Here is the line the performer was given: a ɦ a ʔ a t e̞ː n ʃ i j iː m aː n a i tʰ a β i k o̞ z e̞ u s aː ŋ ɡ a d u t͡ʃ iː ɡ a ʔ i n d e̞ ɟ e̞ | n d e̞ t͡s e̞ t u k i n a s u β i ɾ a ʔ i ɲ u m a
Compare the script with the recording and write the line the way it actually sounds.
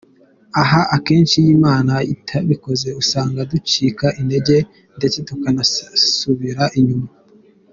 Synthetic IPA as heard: a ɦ a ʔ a k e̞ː n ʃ i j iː m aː n a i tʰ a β i k o̞ z e̞ u s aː ŋ ɡ a d u t͡ʃ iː k a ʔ i n d e̞ ɟ e̞ | n d e̞ t͡s e̞ t u k a n a s u β i ɾ a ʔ i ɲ u m a